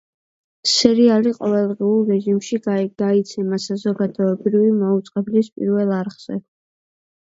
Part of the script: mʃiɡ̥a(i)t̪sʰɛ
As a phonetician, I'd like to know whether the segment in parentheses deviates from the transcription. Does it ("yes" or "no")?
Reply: no